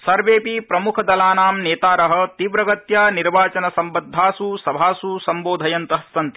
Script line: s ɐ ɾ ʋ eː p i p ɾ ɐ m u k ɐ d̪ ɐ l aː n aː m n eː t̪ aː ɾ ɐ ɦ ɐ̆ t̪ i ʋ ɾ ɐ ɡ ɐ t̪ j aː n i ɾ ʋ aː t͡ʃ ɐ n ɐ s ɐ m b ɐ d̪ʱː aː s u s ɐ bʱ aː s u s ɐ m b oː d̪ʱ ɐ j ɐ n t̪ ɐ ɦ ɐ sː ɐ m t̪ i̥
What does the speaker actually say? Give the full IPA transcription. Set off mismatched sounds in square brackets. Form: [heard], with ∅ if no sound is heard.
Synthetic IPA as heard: s ɐ ɾ ʋ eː p i p ɾ ɐ m u [kʰ] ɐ d̪ ɐ l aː n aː m n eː t̪ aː ɾ ɐ ɦ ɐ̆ t̪ i ʋ ɾ ɐ ɡ ɐ t̪ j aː n i ɾ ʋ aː t͡ʃ ɐ n ɐ s ɐ m b ɐ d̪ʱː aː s u s ɐ bʱ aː s u s ɐ m b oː d̪ʱ ɐ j ɐ n t̪ ɐ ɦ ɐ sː ɐ [n] t̪ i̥